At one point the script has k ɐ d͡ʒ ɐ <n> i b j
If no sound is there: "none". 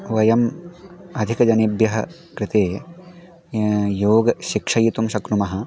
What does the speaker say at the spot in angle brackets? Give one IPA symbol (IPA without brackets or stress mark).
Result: n